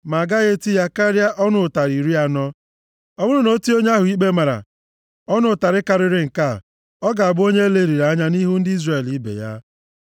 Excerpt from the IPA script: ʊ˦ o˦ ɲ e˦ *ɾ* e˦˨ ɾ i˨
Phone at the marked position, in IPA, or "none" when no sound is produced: l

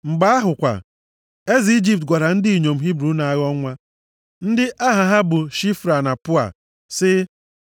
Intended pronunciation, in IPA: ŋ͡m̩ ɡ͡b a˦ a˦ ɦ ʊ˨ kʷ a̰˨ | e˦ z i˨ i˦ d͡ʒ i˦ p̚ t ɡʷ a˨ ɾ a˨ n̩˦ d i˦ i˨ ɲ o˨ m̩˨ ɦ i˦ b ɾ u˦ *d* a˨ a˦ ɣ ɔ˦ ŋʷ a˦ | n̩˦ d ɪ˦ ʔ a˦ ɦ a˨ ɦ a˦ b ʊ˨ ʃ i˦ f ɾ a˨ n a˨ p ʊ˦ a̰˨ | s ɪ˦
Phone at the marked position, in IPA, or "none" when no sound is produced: n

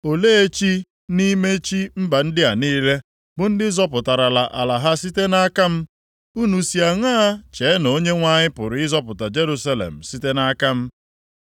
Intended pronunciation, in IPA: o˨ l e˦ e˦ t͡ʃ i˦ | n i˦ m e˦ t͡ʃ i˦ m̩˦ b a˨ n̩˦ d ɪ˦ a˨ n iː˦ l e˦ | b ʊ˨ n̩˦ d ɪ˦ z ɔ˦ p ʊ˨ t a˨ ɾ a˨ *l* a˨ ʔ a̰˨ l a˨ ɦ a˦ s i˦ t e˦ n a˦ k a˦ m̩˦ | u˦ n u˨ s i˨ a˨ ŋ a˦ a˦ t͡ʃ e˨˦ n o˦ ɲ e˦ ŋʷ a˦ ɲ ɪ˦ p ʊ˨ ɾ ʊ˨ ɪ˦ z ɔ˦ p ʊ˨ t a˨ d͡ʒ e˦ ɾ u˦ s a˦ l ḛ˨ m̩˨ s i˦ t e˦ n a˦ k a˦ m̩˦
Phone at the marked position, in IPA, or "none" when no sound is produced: l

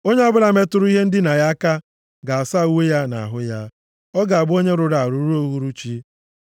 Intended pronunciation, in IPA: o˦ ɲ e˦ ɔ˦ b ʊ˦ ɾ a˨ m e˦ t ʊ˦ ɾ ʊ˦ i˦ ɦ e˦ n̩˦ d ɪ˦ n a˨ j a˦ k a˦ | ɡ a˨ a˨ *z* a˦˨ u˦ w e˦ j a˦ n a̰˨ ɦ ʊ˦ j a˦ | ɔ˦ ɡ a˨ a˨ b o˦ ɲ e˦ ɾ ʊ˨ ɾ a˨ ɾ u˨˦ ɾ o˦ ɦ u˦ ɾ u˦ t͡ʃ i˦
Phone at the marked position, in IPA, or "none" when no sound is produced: s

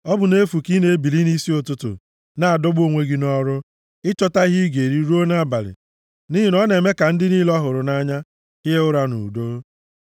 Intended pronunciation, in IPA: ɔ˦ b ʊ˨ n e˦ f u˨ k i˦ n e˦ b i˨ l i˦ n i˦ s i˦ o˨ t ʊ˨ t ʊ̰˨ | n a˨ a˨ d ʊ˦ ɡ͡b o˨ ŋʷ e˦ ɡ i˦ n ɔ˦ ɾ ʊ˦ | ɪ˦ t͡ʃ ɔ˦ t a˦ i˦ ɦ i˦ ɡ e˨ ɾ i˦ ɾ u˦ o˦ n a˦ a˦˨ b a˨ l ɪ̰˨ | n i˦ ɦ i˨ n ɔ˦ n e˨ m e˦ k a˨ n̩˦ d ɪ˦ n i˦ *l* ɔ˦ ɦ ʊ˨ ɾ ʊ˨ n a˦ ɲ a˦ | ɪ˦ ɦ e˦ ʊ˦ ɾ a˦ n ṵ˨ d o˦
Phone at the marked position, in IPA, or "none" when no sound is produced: l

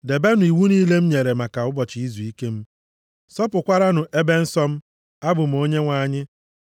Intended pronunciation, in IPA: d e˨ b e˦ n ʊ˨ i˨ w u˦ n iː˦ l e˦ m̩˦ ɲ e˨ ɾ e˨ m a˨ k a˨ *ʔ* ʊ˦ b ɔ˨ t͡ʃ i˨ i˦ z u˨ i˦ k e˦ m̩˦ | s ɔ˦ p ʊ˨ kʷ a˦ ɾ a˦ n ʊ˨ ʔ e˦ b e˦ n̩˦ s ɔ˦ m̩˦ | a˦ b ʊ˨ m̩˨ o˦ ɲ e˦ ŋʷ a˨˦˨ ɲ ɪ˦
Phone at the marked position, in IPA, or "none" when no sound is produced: none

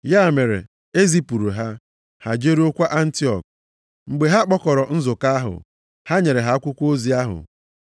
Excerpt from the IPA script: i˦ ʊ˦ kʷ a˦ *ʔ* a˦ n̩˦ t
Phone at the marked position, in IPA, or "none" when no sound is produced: ʔ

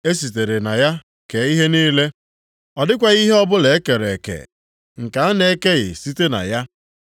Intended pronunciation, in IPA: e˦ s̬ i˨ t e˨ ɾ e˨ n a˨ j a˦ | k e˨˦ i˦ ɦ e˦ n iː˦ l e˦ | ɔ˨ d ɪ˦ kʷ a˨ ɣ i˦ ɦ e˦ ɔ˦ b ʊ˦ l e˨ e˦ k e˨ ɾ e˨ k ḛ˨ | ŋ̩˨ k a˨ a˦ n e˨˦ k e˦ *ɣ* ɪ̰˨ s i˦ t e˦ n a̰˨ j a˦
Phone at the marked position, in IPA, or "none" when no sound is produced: ɣ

